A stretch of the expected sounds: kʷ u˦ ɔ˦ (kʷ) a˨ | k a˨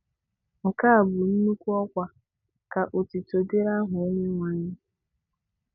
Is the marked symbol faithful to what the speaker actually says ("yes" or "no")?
yes